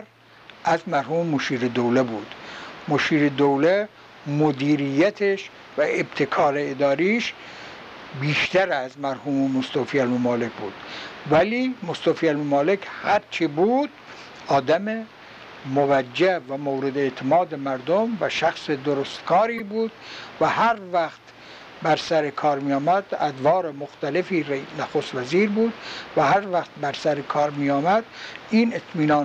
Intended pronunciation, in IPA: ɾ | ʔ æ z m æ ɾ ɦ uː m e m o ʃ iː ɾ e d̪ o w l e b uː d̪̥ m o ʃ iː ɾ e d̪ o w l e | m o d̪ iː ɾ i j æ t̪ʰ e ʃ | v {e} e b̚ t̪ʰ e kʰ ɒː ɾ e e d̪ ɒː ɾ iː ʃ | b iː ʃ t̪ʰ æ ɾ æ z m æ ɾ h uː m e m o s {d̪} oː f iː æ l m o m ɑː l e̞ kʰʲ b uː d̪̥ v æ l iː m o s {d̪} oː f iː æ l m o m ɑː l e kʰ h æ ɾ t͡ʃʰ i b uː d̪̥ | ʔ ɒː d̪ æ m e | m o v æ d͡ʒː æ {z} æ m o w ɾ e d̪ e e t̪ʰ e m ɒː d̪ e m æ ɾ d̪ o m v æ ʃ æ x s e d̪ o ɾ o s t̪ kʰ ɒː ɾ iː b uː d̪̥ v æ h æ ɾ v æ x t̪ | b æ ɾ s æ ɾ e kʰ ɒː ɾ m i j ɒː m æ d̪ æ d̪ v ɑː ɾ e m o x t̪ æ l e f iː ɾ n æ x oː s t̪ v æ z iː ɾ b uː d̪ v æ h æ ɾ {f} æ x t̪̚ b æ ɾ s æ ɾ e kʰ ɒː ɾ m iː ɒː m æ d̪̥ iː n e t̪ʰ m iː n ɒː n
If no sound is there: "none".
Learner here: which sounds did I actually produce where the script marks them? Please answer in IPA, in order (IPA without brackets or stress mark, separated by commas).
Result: æ, t̪, t̪, v, v